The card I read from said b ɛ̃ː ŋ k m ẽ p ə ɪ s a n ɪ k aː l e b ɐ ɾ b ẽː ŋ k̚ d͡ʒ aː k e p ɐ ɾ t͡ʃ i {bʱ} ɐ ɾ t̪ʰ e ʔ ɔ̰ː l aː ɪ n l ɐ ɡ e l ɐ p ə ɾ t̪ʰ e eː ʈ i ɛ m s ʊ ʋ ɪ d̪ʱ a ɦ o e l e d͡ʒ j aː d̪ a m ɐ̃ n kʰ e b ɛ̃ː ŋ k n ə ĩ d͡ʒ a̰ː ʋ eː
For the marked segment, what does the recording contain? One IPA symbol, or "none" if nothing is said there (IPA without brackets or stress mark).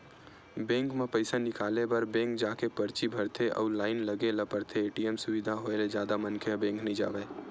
bʱ